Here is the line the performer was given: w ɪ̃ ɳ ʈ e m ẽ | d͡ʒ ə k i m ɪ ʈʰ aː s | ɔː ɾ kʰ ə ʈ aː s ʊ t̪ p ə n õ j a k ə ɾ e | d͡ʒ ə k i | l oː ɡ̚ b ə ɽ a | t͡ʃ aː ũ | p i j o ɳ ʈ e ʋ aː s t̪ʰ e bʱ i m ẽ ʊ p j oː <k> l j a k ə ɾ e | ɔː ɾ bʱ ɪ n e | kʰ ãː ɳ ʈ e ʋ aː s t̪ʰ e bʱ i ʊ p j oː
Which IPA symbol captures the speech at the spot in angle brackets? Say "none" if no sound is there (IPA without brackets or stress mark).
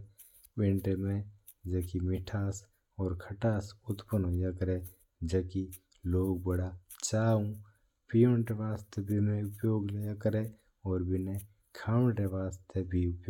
ɡ